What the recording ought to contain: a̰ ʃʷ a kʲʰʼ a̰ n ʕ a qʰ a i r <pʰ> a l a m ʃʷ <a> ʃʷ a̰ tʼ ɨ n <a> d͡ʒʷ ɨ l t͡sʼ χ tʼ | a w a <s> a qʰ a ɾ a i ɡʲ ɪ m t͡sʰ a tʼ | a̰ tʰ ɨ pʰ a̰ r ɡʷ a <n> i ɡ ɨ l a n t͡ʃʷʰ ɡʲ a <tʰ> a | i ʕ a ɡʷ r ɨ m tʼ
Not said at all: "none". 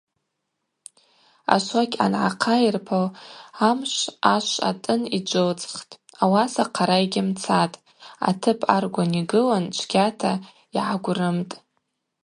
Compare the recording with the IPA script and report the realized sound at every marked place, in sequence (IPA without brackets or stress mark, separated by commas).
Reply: pʰ, a, i, s, n, tʰ